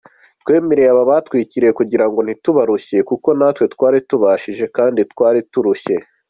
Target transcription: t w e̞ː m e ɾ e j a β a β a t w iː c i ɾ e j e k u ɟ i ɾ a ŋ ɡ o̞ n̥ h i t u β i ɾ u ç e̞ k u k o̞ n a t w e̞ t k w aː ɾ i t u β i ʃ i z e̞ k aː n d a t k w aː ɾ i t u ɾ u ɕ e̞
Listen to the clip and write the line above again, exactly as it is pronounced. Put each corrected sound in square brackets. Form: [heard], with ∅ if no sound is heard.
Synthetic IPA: t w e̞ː m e ɾ e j a β a β a t w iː c i ɾ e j e k u ɟ i ɾ a ŋ ɡ o̞ n̥ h i t u β [a] ɾ u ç e̞ k u k o̞ n a t w e̞ t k w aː ɾ i t u β [a] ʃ i [ʒ] e̞ k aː n d [i] t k w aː ɾ i t u ɾ u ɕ e̞